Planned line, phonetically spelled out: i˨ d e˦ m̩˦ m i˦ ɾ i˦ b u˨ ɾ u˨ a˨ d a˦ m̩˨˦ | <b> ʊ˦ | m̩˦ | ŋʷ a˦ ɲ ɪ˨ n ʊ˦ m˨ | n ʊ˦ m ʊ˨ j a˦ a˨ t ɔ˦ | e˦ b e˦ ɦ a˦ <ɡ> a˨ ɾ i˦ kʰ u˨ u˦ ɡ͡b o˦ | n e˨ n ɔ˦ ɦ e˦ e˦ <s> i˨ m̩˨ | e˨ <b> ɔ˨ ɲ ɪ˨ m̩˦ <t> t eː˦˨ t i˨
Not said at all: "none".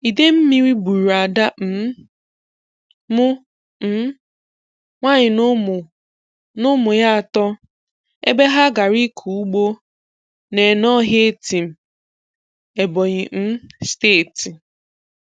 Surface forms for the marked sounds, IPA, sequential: m, ɡ, t, b, s

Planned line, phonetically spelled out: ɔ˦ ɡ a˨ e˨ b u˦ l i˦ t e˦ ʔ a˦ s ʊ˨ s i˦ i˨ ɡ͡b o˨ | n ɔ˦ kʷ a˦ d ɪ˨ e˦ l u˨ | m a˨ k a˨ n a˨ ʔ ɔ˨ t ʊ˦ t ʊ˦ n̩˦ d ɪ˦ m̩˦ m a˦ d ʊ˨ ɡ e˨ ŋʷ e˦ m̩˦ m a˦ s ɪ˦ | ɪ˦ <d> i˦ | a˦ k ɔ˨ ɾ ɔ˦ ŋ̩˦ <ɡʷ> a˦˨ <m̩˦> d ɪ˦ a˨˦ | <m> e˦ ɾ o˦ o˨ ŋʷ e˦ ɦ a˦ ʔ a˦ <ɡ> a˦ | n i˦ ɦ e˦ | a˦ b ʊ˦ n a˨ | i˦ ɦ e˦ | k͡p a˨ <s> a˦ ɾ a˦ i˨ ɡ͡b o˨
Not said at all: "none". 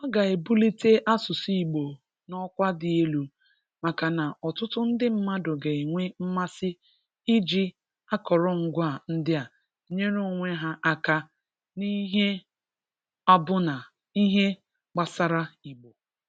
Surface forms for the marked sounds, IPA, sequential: d͡ʒ, ɡʷ, n̩˦, ɲ, k, s

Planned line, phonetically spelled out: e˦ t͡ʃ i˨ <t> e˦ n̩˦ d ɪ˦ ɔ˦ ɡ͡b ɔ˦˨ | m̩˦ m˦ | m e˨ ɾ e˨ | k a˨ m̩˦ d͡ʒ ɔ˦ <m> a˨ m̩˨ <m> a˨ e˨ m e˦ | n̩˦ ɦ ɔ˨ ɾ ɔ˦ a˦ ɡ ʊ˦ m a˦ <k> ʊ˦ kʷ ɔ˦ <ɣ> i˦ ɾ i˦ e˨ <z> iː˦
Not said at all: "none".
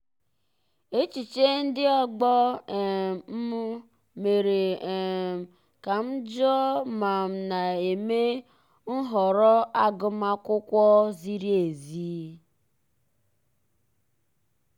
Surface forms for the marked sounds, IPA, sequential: t͡ʃ, m, n, k, z, z

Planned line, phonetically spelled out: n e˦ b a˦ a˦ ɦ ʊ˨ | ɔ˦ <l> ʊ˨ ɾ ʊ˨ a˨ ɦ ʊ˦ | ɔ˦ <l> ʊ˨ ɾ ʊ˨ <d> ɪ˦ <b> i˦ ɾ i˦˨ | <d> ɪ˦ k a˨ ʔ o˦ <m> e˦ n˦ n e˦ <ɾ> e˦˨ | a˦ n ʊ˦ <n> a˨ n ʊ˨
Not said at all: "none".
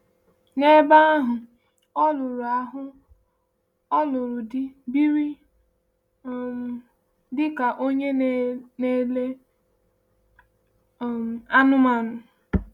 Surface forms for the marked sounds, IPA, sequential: l, l, d, b, d, ɲ, l, m

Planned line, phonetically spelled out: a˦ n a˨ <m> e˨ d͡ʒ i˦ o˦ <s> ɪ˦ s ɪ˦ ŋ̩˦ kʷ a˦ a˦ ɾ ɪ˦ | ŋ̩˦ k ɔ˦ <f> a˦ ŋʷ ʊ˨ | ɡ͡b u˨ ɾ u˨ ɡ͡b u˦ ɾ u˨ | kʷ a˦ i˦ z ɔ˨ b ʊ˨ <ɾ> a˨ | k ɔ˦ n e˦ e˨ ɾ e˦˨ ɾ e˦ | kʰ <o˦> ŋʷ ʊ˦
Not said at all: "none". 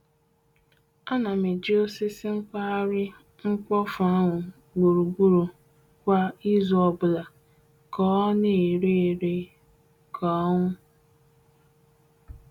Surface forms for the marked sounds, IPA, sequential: m, s, f, l, ɔ˦

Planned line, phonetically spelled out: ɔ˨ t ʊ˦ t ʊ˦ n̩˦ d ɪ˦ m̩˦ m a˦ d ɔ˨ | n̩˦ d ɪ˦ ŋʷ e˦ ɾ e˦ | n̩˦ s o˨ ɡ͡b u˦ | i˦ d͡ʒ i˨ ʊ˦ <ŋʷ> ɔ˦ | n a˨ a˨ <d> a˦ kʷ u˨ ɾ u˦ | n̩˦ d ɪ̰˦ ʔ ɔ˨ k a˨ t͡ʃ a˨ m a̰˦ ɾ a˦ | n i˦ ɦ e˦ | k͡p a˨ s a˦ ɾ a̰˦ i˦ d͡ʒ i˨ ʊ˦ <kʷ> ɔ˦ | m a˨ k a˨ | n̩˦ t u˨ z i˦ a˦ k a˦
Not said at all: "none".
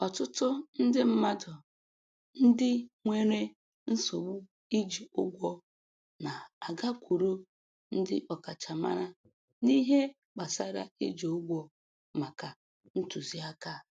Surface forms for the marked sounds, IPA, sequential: ɡʷ, ɡ, ɡʷ

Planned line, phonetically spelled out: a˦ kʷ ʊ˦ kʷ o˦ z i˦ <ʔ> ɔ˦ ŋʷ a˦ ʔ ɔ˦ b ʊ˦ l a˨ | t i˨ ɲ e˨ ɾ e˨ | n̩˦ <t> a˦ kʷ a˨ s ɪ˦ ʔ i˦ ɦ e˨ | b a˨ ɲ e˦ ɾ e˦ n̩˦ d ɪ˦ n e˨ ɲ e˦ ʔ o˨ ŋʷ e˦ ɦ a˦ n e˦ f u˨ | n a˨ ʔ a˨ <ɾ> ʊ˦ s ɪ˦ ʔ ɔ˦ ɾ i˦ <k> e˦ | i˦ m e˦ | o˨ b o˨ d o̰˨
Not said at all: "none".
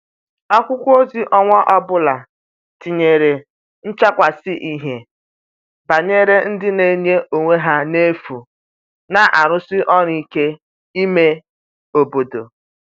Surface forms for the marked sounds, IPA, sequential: ʔ, t͡ʃ, ɾ, k

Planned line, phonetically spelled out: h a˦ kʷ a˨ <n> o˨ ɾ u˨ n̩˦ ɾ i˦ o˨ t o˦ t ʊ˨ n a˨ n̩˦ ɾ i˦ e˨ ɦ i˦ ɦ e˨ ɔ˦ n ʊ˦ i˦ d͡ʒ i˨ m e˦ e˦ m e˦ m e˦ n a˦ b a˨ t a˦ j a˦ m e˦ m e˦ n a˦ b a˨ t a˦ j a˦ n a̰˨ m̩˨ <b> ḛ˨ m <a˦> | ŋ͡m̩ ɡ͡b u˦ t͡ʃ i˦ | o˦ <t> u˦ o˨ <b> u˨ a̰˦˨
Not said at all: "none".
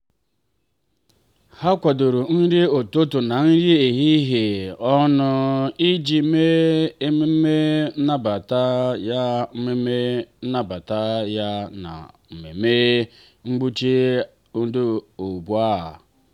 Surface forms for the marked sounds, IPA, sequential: d, m, e˦, d, b

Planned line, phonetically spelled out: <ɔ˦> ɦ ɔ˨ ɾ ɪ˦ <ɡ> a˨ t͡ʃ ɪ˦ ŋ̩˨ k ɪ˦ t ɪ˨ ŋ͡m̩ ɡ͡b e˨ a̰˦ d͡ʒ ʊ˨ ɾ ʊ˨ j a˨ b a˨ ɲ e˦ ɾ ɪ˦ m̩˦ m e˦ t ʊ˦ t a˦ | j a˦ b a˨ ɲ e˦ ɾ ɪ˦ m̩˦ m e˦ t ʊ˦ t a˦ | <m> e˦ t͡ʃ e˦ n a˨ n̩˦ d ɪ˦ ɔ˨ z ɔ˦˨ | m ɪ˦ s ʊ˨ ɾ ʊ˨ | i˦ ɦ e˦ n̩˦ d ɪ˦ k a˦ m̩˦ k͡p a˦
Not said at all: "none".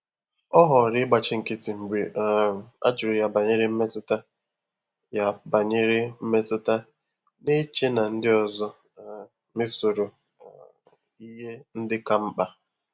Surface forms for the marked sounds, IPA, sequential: ɔ˦, ɡ͡b, n

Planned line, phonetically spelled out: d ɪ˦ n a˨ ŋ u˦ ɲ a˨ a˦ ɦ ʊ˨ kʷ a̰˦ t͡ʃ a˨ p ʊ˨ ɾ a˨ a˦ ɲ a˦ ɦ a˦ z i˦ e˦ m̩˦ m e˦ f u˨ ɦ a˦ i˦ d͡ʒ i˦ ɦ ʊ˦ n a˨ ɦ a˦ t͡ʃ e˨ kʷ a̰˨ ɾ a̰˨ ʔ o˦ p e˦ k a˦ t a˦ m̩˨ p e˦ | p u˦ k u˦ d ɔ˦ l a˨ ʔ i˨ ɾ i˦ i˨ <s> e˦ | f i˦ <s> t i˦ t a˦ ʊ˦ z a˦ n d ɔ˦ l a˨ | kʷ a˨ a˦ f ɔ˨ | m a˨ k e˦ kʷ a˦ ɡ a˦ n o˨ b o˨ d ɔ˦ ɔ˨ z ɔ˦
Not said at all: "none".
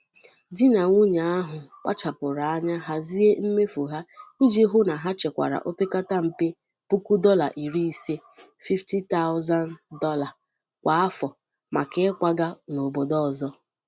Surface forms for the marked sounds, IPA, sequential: s, f

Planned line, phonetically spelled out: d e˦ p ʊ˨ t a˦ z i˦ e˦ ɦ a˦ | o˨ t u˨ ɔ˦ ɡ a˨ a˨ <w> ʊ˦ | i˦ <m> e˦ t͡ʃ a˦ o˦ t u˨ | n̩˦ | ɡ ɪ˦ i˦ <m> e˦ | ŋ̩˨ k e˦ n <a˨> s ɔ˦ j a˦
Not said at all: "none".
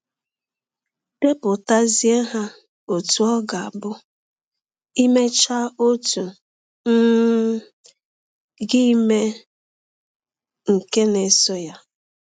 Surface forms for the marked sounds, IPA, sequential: b, m, m, e˨

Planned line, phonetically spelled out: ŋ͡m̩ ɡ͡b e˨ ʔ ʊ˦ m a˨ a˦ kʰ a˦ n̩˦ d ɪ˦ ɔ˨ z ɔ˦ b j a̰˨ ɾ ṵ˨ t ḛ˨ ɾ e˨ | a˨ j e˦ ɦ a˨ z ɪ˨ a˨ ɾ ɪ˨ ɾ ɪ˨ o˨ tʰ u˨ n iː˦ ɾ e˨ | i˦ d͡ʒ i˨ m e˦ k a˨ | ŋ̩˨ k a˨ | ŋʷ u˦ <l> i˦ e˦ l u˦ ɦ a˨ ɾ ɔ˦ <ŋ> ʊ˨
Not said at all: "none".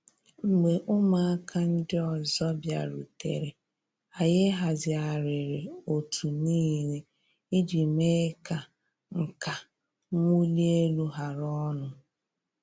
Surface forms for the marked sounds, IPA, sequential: l, n

